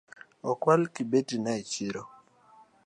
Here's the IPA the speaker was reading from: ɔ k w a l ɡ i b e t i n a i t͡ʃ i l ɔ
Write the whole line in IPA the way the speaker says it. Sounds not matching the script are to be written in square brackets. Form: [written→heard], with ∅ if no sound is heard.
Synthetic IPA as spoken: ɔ k w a l [ɡ→k] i b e t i n a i t͡ʃ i [l→ɾ] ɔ